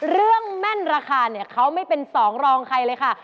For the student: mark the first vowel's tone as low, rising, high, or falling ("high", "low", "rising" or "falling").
falling